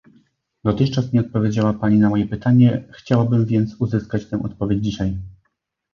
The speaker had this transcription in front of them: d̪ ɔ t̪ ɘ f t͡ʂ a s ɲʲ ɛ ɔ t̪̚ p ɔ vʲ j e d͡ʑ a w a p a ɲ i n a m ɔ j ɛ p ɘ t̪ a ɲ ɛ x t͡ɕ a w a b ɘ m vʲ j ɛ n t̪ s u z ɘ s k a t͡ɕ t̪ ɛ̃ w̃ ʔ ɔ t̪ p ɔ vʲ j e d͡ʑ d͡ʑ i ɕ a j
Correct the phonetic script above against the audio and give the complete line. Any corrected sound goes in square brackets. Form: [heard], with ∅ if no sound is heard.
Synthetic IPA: d̪ ɔ t̪ ɘ [x] t͡ʂ a s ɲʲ ɛ ɔ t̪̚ p ɔ vʲ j e d͡ʑ a w a p a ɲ i n a m ɔ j ɛ p ɘ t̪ a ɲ ɛ x t͡ɕ a w a b ɘ m vʲ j ɛ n t̪ s u z ɘ s k a t͡ɕ t̪ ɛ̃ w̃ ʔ ɔ t̪ p ɔ vʲ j e d͡ʑ d͡ʑ i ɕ a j